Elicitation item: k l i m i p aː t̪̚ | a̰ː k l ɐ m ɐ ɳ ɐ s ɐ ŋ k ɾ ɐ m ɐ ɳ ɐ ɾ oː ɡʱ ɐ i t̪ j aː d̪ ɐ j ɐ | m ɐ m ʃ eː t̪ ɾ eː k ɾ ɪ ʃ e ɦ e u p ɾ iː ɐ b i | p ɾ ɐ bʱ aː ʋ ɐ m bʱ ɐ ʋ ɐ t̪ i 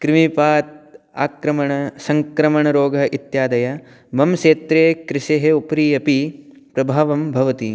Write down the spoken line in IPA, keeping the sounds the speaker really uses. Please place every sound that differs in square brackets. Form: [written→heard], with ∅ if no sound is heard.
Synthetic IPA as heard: k [l→ɾ] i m i p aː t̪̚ | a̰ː k [l→ɾ] ɐ m ɐ ɳ ɐ s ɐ ŋ k ɾ ɐ m ɐ ɳ ɐ ɾ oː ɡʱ ɐ i t̪ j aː d̪ ɐ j ɐ | m ɐ m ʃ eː t̪ ɾ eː k ɾ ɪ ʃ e ɦ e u p ɾ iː ɐ [b→p] i | p ɾ ɐ bʱ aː ʋ ɐ m bʱ ɐ ʋ ɐ t̪ i